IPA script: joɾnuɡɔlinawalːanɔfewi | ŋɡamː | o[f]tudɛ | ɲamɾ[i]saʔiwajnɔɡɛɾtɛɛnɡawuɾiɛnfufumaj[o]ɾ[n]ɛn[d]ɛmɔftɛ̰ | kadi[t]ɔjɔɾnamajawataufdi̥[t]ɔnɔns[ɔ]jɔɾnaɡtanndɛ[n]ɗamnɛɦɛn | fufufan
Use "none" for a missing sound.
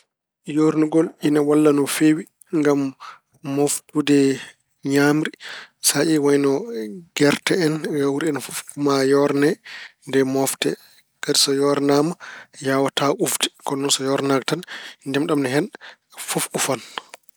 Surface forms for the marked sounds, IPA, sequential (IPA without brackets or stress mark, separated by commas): f, i, ɔ, n, d, s, k, ɔ, m